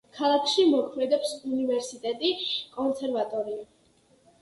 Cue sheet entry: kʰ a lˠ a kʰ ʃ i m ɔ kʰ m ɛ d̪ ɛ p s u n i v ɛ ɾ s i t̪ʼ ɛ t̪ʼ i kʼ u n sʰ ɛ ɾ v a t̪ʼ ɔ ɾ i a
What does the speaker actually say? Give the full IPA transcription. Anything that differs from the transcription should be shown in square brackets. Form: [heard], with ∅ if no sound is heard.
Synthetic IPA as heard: kʰ a lˠ a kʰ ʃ i m ɔ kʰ m ɛ d̪ ɛ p s u n i v ɛ ɾ s i t̪ʼ ɛ t̪ʼ i kʼ [ɔ] n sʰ ɛ ɾ v a t̪ʼ ɔ ɾ i a